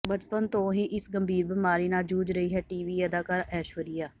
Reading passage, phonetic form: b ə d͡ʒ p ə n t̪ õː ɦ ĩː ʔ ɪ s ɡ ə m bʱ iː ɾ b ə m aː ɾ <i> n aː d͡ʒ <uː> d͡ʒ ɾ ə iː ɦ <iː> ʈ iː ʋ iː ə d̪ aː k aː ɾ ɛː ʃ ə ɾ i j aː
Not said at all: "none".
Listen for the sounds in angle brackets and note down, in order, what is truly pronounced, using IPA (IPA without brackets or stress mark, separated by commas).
iː, uː, ɛː